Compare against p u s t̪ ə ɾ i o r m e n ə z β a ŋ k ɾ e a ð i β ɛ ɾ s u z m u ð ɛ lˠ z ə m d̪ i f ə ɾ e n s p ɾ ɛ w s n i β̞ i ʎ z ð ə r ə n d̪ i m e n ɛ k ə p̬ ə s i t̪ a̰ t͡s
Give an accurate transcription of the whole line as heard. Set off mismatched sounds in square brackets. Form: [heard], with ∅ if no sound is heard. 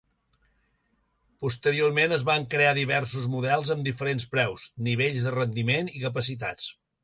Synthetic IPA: p u s t̪ ə ɾ i o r m e n ə z β a ŋ k ɾ e a ð i β ɛ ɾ s u z m u ð ɛ lˠ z ə m d̪ i f ə ɾ e n s p ɾ ɛ w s n i β̞ [e] ʎ z ð ə r ə n d̪ i m e n [i] k ə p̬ ə s i t̪ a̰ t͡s